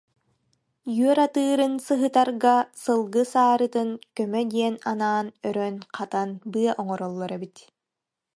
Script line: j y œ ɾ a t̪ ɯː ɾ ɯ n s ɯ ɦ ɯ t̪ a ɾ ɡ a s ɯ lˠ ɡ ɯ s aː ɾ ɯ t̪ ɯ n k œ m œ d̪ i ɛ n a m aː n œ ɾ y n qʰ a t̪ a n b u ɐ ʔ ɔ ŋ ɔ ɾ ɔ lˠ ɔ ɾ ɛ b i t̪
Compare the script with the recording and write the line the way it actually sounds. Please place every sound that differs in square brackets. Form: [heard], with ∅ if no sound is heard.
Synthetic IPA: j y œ ɾ a t̪ ɯː ɾ ɯ n s ɯ ɦ ɯ t̪ a ɾ ɡ a s ɯ lˠ ɡ ɯ s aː ɾ ɯ t̪ ɯ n k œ m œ d̪ i ɛ n a [n] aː n œ ɾ [œ] n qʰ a t̪ a n b [ɯ] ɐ ʔ ɔ ŋ ɔ ɾ ɔ [lˠː] ɔ ɾ ɛ b i t̪